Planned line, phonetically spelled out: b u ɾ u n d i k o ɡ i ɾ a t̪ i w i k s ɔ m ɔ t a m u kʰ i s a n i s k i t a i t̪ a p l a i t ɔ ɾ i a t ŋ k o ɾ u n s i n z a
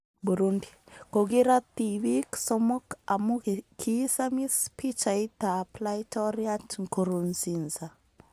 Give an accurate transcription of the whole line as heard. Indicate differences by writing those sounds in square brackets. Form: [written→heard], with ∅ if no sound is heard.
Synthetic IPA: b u ɾ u n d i k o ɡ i ɾ a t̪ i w i k s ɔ m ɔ [t→k] a m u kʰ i s a [n→m] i s [k→p] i [t→t͡ʃ] a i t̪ a p l a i t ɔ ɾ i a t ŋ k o ɾ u n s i n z a

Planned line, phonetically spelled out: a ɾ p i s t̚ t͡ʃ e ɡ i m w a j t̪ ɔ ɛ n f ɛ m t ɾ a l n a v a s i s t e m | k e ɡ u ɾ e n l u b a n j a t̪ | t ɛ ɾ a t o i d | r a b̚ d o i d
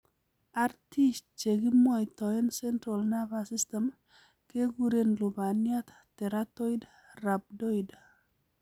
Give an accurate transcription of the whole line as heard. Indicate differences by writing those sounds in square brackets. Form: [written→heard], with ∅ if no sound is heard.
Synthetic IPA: a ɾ [p→t] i s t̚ t͡ʃ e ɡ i m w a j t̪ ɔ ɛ n [f→s] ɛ [m→n] t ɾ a l n a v a s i s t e m | k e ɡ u ɾ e n l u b a n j a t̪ | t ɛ ɾ a t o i d | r a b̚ d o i d

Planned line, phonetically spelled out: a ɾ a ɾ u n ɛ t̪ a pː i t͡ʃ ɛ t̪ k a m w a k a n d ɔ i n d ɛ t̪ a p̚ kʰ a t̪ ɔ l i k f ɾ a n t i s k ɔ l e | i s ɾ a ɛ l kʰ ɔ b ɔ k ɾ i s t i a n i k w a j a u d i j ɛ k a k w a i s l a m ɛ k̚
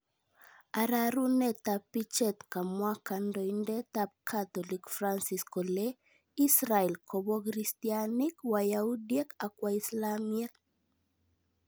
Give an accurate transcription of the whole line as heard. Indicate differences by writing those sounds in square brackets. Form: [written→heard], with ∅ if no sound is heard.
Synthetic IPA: a ɾ a ɾ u n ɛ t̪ a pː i t͡ʃ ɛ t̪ k a m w a k a n d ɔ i n d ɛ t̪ a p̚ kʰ a t̪ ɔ l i k f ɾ a n [t→s] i s k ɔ l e | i s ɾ a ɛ l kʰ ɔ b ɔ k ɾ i s t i a n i k w a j a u d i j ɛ k a k w a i s l a m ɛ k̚

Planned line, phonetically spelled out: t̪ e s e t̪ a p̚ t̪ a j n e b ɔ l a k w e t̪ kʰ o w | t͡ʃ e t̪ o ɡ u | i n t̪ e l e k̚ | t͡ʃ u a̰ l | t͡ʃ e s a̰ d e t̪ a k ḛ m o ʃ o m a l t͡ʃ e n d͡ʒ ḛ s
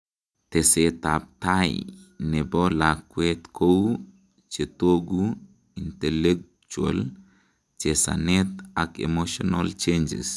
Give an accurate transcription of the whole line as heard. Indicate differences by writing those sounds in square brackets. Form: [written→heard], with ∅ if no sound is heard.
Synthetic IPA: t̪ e s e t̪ a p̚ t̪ a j n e b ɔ l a k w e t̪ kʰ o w | t͡ʃ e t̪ o ɡ u | i n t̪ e l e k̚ | t͡ʃ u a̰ l | t͡ʃ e s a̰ [d→n] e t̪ a k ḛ m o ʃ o [m→n] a l t͡ʃ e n d͡ʒ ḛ s

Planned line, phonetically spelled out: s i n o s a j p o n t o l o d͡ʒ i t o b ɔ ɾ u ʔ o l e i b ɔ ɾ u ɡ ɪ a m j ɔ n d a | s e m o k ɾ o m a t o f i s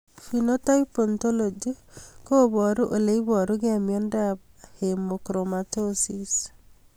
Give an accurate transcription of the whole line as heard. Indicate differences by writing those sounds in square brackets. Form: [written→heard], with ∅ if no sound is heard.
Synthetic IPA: [s→f] i n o [s→t] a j p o n t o l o d͡ʒ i [t→k] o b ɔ ɾ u ʔ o l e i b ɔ ɾ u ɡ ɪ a m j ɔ n d a | [s→h] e m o k ɾ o m a t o [f→s] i s

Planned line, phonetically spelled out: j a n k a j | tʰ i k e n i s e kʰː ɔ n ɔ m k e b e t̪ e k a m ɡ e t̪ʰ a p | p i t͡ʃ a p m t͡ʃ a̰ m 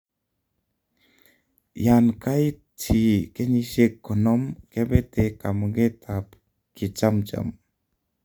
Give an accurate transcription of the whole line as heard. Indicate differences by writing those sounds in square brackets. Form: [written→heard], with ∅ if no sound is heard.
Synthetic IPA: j a n k a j | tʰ i k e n i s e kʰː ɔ n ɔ m k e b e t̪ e k a m ɡ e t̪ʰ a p | [p→k] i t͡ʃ a [p→∅] m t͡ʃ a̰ m

